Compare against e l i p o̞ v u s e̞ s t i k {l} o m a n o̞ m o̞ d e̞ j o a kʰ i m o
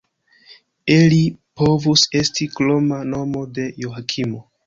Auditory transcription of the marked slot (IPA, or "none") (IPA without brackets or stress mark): l